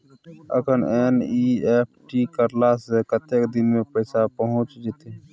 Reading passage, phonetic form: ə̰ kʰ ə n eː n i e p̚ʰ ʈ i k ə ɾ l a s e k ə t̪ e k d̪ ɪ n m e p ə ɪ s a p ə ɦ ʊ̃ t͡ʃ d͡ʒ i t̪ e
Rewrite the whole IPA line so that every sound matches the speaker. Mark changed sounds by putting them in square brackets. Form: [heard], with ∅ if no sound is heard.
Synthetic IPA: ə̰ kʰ ə n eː n i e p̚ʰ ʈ i k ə ɾ l a s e k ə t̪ e k d̪ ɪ n m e p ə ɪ s a p ə ɦ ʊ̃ t͡ʃ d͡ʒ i t̪ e